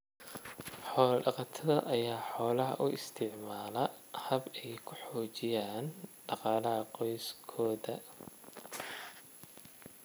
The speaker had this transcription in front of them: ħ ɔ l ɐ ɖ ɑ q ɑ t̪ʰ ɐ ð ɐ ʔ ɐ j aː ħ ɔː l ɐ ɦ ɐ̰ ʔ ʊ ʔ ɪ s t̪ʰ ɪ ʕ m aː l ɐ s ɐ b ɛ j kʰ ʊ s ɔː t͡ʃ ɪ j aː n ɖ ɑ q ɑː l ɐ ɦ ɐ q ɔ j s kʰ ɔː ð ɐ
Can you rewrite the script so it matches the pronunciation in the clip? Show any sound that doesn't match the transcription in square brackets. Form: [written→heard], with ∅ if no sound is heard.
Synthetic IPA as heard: ħ [ɔ→ɔː] l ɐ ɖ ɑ q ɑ t̪ʰ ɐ ð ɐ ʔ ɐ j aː ħ ɔː l ɐ ɦ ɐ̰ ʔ ʊ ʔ ɪ s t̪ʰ ɪ ʕ m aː l ɐ [s→h] ɐ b ɛ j kʰ ʊ [s→ħ] ɔː t͡ʃ ɪ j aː n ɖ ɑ q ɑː l ɐ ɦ ɐ q ɔ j s kʰ ɔː ð ɐ